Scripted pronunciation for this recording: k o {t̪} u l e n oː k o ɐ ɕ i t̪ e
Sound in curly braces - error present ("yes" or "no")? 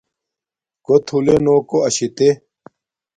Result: yes